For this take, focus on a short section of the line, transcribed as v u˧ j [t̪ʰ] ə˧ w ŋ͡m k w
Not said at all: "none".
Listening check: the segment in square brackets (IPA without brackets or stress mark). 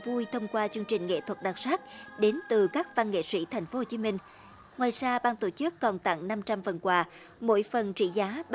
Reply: t̪ʰ